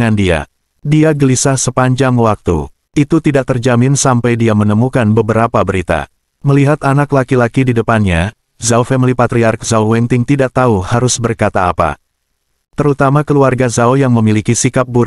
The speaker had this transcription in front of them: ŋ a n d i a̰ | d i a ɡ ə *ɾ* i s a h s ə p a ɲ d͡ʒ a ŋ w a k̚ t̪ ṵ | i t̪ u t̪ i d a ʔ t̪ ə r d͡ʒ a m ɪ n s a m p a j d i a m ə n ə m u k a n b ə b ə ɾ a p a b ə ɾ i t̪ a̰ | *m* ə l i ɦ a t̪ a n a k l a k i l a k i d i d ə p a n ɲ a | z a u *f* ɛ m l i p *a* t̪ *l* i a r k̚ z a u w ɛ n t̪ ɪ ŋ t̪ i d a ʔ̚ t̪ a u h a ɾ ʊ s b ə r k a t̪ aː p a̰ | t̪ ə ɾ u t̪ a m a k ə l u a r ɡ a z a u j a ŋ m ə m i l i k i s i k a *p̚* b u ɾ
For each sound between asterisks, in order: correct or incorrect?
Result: incorrect, correct, correct, correct, incorrect, correct

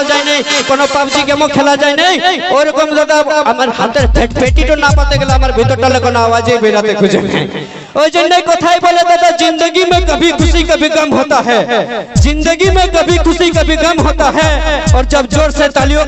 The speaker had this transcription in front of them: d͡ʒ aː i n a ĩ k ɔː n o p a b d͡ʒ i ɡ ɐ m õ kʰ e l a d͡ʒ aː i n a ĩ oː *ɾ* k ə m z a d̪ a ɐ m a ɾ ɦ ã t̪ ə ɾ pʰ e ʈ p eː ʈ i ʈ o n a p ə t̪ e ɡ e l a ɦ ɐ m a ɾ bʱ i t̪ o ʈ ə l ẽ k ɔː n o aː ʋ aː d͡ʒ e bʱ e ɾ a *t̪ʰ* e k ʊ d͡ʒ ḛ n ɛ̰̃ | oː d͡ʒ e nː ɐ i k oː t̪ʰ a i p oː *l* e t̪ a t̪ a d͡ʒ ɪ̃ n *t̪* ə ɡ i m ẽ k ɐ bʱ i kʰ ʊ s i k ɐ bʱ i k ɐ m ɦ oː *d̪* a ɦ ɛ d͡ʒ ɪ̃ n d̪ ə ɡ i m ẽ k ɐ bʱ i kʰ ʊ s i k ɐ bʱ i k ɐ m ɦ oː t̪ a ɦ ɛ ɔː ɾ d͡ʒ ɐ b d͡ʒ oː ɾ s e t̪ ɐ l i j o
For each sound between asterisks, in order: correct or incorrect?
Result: correct, incorrect, correct, incorrect, incorrect

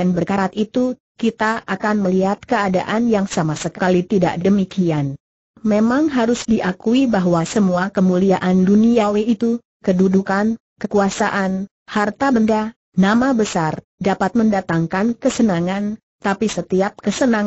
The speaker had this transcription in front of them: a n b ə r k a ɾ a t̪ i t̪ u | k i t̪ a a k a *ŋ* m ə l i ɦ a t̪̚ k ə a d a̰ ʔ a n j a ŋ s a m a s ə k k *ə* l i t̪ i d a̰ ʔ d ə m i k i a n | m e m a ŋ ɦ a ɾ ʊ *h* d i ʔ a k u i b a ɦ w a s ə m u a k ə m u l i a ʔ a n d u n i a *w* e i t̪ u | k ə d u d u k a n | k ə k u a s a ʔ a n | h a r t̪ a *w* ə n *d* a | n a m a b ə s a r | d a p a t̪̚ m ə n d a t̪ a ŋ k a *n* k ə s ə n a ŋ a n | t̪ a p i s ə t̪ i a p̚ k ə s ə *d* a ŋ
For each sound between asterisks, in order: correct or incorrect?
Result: incorrect, incorrect, incorrect, correct, incorrect, correct, correct, incorrect

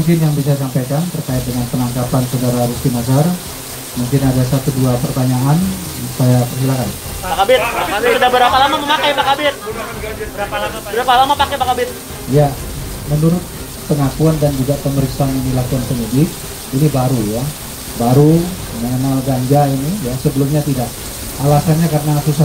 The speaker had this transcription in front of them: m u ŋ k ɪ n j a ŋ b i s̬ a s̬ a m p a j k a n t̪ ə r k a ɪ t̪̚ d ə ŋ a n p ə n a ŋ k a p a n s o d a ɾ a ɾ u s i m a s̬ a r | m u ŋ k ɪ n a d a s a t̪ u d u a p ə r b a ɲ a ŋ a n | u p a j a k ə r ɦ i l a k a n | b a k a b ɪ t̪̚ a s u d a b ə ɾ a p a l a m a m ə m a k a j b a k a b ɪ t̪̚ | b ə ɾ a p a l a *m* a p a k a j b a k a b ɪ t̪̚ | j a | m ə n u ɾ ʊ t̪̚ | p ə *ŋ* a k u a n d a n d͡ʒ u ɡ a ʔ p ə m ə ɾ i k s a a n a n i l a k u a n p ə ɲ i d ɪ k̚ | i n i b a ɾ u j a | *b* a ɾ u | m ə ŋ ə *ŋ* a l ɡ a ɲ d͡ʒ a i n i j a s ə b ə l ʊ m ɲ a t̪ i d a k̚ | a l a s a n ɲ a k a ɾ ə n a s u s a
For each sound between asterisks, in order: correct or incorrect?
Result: correct, correct, correct, incorrect

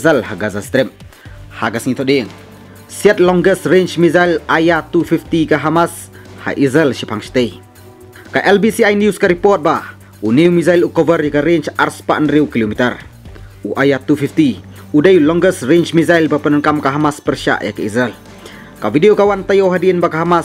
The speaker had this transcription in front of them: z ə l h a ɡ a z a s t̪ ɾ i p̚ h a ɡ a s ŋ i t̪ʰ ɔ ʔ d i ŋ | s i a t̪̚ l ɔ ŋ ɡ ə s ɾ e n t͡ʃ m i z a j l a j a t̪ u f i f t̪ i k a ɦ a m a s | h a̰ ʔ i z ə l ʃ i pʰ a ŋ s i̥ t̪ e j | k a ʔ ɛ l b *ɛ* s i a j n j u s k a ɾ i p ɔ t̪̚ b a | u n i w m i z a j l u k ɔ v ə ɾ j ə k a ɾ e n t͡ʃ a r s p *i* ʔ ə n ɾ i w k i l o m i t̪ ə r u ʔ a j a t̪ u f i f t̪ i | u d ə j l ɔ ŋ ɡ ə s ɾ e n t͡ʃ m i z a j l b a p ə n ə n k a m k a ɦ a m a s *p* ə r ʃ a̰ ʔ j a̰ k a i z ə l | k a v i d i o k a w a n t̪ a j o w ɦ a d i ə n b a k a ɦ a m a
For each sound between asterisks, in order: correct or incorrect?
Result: incorrect, incorrect, correct

